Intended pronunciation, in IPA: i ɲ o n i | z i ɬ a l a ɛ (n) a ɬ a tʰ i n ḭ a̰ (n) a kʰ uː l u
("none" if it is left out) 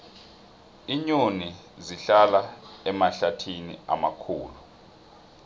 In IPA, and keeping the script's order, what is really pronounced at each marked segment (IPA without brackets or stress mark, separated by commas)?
m, m